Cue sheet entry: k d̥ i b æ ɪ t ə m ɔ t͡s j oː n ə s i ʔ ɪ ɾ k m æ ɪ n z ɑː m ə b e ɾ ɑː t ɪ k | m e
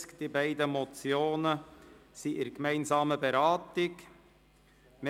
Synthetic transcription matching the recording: k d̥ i b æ ɪ d ə m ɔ t͡s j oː n ə s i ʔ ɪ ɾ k m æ ɪ n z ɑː m ə b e ɾ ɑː t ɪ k | m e